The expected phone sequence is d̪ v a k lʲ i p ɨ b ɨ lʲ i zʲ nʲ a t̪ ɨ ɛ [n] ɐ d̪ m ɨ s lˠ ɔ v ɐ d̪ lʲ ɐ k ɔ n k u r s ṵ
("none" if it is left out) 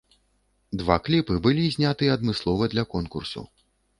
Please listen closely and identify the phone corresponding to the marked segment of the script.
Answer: none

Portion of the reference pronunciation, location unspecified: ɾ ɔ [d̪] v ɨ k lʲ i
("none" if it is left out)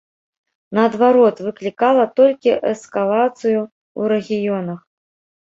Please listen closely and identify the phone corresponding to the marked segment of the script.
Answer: t̪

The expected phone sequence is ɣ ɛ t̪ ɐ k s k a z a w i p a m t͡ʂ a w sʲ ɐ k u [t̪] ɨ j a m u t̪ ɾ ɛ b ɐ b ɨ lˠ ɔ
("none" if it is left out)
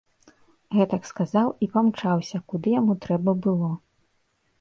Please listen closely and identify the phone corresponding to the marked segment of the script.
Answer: d̪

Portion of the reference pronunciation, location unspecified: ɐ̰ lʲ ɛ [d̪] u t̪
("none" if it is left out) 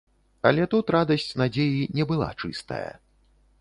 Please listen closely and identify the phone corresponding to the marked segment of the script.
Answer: t̪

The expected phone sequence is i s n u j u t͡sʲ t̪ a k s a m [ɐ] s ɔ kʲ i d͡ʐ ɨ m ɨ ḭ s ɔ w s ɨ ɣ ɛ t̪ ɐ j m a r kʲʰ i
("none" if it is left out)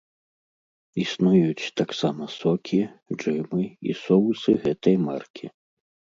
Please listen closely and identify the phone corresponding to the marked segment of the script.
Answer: ɐ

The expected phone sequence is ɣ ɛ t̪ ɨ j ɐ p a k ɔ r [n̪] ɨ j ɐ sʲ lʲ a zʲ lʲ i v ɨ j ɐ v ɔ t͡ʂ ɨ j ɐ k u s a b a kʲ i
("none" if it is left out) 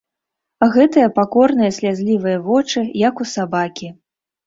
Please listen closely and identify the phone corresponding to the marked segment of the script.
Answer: n̪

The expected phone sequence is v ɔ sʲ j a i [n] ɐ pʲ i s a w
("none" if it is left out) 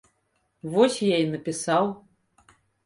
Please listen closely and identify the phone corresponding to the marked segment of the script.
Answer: n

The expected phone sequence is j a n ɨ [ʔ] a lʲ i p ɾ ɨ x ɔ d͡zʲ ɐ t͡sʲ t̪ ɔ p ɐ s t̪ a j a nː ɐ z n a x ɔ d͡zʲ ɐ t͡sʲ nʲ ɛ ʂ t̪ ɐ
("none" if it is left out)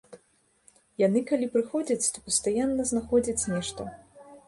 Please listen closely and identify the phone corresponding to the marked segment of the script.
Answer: k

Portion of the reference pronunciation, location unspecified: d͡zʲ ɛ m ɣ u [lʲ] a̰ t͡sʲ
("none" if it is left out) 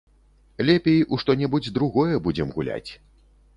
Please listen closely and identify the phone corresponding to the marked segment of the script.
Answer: lʲ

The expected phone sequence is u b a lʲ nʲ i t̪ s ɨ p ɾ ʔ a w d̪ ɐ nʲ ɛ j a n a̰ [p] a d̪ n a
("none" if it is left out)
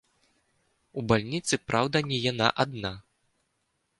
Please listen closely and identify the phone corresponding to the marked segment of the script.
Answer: ʔ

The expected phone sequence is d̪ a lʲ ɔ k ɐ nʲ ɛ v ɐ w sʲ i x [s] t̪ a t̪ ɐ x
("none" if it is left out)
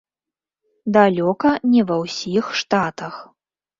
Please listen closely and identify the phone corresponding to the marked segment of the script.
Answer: ʂ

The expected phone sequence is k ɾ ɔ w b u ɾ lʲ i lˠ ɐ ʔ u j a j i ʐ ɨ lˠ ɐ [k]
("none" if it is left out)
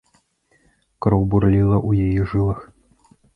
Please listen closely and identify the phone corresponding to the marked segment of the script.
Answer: x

